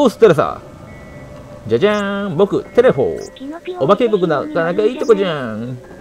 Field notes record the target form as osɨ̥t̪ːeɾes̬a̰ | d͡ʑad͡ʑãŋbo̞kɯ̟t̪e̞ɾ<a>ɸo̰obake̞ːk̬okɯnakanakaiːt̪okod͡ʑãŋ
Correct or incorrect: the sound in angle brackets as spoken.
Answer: incorrect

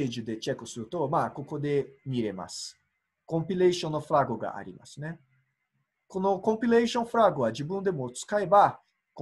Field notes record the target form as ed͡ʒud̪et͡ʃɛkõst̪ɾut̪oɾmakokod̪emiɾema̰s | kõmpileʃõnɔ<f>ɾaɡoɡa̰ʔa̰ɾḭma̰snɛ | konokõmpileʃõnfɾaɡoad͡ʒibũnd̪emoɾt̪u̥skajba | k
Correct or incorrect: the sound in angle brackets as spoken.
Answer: correct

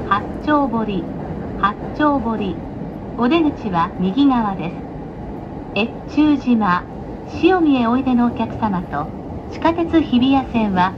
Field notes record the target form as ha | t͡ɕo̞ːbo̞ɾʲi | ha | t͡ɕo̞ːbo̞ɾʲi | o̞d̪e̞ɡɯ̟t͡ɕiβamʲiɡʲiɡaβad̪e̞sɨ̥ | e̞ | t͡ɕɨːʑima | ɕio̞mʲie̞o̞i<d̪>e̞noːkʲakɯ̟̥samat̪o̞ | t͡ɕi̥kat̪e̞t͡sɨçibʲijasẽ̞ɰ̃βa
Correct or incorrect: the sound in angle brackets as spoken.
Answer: correct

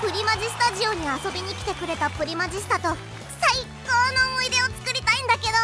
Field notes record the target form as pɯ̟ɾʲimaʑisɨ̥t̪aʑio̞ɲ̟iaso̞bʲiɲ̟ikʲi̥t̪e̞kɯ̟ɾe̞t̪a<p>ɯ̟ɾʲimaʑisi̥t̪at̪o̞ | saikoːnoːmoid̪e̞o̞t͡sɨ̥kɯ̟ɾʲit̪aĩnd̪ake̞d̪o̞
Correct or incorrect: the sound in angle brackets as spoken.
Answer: correct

